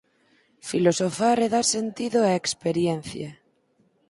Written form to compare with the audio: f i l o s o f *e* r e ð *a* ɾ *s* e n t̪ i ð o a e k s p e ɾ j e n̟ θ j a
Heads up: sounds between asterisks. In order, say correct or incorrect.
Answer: incorrect, correct, correct

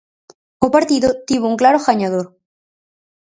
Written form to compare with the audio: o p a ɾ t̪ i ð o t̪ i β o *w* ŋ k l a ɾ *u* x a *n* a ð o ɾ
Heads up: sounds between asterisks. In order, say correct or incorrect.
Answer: incorrect, incorrect, incorrect

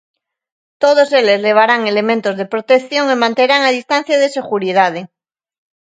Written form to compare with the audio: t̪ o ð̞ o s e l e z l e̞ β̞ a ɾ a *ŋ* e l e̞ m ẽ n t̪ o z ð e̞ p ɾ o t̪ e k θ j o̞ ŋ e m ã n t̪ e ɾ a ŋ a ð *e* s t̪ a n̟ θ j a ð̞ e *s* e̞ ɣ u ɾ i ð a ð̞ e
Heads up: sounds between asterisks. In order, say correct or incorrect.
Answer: correct, incorrect, correct

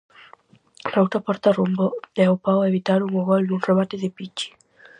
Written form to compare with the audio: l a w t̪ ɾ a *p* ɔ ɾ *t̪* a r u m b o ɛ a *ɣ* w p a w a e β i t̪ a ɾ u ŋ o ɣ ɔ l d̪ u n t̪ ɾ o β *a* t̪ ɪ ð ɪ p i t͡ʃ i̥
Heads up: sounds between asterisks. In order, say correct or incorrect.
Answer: correct, correct, incorrect, correct

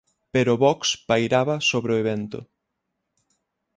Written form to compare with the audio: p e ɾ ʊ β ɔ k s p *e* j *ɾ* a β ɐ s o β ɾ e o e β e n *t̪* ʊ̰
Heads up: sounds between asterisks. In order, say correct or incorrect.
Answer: incorrect, correct, correct

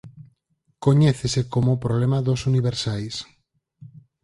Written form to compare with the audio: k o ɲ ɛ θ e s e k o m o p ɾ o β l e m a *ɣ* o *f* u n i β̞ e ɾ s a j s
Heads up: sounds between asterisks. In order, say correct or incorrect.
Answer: incorrect, incorrect

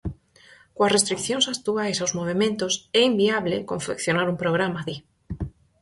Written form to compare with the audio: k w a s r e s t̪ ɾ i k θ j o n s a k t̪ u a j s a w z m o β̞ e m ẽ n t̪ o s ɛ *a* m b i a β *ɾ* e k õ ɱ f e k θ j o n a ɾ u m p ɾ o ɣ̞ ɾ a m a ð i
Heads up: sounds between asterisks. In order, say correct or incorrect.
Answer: incorrect, incorrect

